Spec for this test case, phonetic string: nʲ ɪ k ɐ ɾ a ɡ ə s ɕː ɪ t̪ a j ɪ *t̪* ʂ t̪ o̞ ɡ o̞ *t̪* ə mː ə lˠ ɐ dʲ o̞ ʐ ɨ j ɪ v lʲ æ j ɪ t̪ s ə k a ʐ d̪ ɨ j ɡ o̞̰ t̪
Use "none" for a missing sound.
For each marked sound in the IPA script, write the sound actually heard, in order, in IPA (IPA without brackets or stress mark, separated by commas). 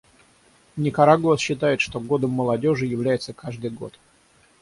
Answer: t̪, d̪